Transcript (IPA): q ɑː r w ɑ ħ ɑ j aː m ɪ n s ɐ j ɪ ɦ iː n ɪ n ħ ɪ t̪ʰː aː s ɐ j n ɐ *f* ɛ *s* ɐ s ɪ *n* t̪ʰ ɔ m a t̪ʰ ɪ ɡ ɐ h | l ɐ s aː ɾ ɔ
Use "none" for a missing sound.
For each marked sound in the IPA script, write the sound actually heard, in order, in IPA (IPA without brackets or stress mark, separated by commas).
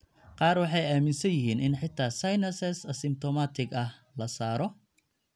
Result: s, s, m